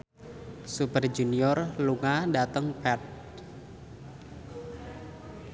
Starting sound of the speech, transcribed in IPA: s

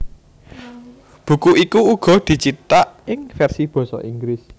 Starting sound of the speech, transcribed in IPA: b̥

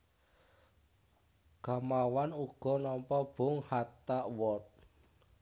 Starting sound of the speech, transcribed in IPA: ɡ̥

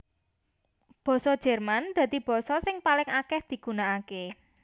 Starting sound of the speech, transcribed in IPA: b̥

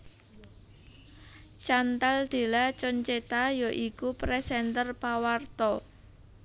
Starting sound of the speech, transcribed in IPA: t͡ʃ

